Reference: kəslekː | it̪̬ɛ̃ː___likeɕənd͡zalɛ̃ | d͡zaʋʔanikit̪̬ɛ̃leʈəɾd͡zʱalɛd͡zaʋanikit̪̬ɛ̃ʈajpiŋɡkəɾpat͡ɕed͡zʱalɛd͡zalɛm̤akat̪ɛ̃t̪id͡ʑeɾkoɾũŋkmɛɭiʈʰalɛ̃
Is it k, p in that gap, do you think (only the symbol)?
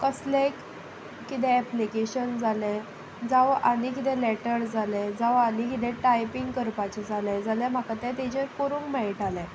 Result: p